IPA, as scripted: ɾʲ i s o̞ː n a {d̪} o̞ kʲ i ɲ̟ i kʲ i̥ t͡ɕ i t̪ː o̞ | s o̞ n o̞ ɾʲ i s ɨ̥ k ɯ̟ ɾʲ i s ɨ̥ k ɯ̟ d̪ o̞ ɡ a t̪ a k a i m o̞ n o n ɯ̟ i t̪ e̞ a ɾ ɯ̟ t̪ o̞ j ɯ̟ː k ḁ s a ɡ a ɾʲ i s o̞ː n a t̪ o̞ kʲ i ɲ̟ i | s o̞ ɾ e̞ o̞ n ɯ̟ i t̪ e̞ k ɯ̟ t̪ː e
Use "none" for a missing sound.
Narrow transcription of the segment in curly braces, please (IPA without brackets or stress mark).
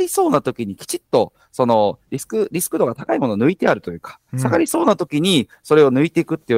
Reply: t̪